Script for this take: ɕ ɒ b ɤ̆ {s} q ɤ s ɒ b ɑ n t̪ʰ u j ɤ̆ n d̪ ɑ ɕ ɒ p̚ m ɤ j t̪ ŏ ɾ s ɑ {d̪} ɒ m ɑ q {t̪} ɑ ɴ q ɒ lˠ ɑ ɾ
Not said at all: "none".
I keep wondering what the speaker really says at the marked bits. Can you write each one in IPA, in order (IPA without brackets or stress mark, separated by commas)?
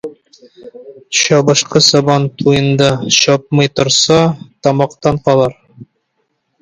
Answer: ʃ, t̪, t̪